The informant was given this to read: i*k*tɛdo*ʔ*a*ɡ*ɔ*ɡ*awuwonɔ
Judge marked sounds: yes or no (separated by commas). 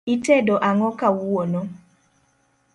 no, yes, no, no